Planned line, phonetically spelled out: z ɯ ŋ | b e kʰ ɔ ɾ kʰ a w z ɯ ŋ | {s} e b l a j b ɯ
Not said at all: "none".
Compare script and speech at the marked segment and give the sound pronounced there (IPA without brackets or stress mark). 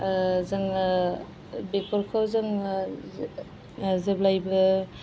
z